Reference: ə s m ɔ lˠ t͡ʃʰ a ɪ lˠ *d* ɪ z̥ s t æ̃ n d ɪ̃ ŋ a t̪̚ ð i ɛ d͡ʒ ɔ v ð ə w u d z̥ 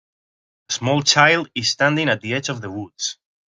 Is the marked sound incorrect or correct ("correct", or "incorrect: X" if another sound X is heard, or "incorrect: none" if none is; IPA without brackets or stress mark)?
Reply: correct